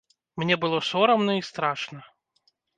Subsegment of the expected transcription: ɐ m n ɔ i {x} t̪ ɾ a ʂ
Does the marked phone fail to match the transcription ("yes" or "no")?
yes